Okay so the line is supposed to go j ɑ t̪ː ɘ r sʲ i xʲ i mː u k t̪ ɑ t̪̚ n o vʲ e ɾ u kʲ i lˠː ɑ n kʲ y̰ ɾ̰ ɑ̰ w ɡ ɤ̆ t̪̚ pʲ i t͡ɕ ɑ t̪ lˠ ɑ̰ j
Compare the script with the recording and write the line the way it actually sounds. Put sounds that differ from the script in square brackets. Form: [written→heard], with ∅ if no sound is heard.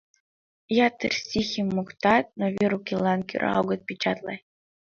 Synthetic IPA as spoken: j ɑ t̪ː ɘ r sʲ i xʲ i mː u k t̪ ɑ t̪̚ n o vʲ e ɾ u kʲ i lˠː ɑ n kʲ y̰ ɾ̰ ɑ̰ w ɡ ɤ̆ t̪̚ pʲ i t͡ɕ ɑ t̪ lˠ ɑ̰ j